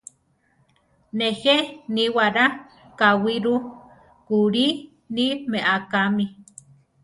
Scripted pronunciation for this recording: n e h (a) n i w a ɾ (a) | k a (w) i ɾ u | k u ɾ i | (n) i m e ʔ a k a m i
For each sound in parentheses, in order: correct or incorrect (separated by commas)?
incorrect, correct, correct, correct